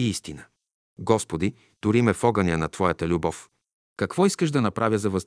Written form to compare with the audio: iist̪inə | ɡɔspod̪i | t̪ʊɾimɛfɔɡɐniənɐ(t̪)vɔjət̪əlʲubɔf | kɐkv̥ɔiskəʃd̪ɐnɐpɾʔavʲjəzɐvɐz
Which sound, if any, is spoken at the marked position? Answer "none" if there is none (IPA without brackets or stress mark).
t̪